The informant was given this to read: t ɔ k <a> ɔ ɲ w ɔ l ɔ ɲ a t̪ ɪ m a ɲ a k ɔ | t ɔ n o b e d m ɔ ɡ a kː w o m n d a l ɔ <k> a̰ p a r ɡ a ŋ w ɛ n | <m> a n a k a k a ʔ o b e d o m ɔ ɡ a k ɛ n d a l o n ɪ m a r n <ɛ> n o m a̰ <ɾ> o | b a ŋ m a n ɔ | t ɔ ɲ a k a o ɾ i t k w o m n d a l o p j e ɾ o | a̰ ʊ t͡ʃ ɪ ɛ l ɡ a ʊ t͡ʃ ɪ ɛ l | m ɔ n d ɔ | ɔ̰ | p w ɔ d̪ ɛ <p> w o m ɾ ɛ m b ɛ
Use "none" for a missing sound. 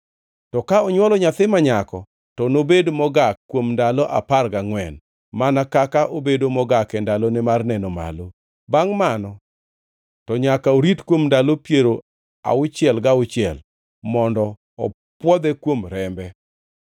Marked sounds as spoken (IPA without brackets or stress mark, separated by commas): a, ʔ, m, ɛ, l, k